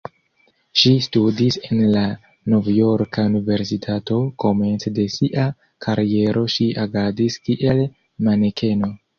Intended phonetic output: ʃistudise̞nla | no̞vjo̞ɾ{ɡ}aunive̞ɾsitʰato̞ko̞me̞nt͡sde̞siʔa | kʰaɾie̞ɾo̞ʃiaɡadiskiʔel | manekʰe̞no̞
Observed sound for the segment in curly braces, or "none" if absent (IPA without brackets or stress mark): k